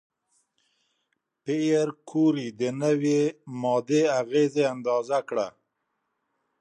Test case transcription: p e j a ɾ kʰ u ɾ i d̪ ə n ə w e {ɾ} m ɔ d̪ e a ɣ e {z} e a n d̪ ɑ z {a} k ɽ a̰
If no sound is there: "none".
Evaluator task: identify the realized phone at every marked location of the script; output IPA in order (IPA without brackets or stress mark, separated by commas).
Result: none, z, a